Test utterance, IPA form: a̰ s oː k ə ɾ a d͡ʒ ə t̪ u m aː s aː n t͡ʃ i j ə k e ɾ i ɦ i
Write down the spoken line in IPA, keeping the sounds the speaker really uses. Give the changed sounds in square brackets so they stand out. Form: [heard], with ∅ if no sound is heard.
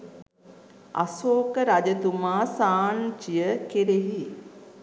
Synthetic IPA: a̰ s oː k ə ɾ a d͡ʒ ə t̪ u m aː s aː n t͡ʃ i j ə k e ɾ [e] ɦ i